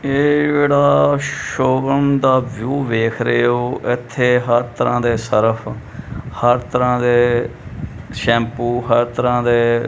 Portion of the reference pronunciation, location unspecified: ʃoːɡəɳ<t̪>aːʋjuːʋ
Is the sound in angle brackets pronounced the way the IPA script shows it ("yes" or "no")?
no